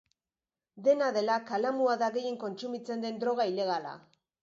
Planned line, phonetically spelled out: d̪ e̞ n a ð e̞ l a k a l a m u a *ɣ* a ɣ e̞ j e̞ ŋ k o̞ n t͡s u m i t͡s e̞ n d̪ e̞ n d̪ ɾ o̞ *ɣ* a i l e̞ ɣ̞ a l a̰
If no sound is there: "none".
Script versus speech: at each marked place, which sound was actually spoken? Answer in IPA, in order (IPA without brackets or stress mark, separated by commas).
ð, ɣ